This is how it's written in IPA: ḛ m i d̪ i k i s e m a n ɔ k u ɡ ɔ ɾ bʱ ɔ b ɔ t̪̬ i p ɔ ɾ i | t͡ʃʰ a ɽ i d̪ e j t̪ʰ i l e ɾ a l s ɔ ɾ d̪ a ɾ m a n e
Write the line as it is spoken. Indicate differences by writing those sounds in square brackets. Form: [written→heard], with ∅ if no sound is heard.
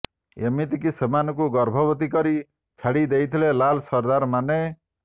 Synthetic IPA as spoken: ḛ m i [d̪→t̪] i k i s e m a n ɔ k u ɡ ɔ ɾ bʱ ɔ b ɔ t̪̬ i [p→k] ɔ ɾ i | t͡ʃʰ a ɽ i d̪ e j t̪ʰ i l e [ɾ→l] a l s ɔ ɾ d̪ a ɾ m a n e